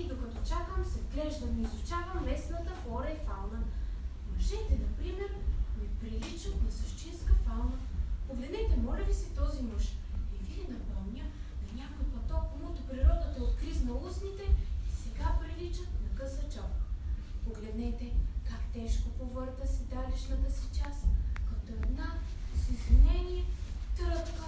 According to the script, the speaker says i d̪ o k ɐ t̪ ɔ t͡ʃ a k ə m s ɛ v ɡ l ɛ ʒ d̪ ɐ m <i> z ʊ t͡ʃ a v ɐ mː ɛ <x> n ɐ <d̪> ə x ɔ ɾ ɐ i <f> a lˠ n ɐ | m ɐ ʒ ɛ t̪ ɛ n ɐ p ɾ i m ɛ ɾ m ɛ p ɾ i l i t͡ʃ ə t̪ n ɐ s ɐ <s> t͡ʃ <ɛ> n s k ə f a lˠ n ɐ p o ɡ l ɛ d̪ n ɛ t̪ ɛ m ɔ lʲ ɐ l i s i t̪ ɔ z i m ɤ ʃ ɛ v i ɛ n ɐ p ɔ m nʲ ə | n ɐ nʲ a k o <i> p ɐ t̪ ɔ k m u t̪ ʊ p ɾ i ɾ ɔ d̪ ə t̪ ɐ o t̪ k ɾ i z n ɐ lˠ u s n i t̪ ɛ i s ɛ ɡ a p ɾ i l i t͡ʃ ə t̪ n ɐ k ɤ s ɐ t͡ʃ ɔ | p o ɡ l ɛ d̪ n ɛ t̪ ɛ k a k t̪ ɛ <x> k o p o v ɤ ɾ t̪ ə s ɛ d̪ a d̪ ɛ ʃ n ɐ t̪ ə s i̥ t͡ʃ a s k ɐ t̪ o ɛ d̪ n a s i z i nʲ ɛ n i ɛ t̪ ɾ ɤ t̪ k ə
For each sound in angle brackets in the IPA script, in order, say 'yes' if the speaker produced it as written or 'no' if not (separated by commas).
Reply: yes, no, no, yes, no, no, no, no